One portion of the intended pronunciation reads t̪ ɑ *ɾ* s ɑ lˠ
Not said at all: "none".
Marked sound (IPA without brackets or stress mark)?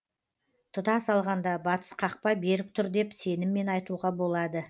none